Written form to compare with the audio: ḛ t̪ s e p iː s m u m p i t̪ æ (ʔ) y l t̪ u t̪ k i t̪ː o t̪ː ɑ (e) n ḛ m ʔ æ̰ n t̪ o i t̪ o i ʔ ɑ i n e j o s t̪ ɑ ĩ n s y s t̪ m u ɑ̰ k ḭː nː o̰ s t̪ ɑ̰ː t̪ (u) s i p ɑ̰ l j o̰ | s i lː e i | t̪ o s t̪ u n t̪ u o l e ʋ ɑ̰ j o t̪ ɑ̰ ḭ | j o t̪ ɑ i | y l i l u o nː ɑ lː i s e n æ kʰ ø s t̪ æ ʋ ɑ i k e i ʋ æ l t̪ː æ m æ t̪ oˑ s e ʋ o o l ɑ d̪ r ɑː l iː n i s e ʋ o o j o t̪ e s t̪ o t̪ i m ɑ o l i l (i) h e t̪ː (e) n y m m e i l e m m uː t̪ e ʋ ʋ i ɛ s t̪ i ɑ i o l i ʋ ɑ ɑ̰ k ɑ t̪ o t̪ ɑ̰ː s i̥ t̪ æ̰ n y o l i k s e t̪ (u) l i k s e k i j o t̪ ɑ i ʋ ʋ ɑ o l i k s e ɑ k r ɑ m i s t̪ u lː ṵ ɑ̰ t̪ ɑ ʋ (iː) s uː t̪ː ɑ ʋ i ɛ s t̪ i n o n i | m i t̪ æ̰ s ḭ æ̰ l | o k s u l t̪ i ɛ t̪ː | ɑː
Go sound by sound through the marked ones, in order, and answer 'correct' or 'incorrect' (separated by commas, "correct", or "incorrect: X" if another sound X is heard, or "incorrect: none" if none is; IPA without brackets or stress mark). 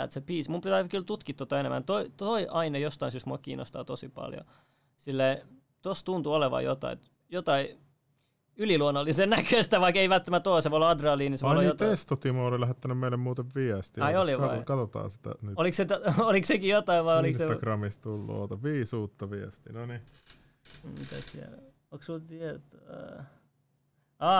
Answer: incorrect: k, correct, incorrect: o, incorrect: æ, incorrect: æ, incorrect: o, correct